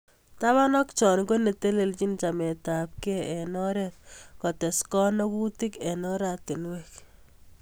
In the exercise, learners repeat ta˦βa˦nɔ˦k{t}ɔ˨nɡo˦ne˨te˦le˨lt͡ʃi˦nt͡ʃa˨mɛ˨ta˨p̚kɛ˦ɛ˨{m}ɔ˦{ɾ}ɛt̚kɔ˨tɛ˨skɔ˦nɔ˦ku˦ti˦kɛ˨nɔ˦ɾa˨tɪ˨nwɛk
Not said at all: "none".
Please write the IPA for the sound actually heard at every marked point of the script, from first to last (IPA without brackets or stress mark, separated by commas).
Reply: t͡ʃ, n, ɾ